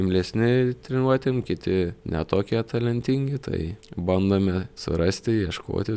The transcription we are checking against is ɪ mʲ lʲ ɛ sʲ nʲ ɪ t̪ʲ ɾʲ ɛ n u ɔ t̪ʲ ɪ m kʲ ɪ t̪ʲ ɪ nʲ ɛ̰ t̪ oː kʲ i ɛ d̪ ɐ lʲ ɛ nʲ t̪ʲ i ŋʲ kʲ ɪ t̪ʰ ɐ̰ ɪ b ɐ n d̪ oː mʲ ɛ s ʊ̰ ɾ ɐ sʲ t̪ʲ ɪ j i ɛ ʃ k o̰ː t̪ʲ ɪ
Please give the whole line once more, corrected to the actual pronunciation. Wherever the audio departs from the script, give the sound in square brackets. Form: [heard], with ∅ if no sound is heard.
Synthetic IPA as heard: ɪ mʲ lʲ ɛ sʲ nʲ ɪ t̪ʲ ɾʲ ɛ n u ɔ t̪ʲ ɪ m kʲ ɪ t̪ʲ ɪ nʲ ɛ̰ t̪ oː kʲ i ɛ [t̪] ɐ lʲ ɛ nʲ t̪ʲ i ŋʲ [ɡʲ] ɪ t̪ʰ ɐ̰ ɪ b ɐ n d̪ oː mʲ ɛ s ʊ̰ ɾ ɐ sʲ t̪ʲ ɪ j i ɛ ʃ k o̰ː t̪ʲ ɪ